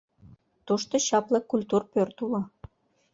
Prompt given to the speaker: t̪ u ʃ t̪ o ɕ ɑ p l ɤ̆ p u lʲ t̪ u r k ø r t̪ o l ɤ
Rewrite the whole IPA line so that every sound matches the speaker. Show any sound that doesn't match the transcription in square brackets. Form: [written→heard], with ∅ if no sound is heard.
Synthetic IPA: t̪ u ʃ t̪ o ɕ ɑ p l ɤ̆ [p→k] u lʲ t̪ u r [k→p] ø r t̪ [o→u] l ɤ